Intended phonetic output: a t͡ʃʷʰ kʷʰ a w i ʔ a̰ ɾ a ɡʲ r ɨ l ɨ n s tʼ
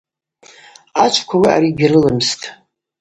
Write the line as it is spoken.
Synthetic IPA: a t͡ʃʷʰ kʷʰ a w i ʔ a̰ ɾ i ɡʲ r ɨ l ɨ m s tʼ